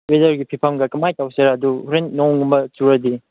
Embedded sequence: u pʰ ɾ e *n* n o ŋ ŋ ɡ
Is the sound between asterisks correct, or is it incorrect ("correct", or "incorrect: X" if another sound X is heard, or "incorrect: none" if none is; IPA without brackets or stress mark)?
correct